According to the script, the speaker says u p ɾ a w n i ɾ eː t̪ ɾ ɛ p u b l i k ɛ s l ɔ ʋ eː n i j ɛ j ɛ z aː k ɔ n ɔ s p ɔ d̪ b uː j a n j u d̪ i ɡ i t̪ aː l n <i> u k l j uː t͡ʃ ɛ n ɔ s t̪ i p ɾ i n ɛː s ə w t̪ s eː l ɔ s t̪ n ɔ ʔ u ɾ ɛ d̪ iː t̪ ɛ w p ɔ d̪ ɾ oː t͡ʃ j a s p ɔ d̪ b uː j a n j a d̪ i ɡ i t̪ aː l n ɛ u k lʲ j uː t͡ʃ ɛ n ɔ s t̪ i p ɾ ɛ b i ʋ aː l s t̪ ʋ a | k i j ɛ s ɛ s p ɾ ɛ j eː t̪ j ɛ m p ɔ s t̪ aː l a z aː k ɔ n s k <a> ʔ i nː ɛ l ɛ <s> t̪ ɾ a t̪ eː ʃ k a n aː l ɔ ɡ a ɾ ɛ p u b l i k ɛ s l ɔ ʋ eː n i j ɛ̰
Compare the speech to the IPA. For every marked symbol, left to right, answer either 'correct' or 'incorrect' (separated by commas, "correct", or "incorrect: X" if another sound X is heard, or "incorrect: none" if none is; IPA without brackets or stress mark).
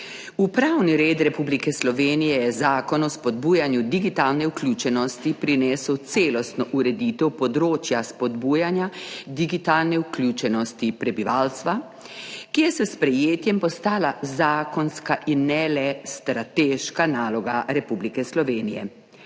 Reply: incorrect: ɛ, correct, correct